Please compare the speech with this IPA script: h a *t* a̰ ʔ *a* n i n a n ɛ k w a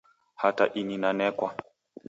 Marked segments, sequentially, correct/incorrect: correct, incorrect

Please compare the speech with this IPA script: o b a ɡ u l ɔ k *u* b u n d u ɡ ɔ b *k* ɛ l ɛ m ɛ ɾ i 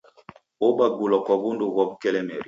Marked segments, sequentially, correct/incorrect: incorrect, correct

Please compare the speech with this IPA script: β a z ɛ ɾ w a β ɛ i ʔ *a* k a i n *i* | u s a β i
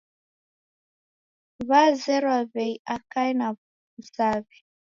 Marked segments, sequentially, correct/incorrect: correct, incorrect

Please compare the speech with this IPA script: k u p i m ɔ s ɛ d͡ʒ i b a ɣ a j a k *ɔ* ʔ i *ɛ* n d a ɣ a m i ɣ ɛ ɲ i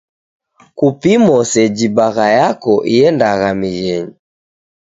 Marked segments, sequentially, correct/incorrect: correct, correct

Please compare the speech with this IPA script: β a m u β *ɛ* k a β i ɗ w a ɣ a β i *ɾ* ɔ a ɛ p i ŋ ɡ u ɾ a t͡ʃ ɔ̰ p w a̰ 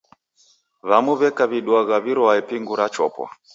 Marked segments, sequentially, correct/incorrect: correct, correct

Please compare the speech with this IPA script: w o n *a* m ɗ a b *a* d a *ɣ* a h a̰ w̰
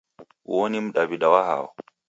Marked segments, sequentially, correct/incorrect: incorrect, incorrect, incorrect

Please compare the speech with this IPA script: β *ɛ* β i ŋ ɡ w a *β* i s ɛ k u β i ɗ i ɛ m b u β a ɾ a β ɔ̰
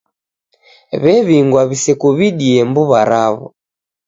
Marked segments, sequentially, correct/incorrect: correct, correct

